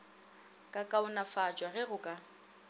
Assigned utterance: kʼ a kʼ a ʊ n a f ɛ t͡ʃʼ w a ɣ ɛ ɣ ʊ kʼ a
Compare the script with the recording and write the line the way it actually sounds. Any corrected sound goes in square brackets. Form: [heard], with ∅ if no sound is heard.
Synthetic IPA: kʼ a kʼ a ʊ n a f [a] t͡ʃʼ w a ɣ ɛ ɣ ʊ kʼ a